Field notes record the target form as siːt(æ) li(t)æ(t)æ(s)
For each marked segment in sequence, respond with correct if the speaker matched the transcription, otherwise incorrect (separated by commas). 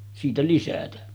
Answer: correct, incorrect, correct, incorrect